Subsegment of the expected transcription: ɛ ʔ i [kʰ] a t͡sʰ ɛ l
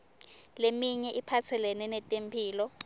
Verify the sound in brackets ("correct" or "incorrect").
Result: incorrect